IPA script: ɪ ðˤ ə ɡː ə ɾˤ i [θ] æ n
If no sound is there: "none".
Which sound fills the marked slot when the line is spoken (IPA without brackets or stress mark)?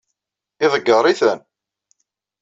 θ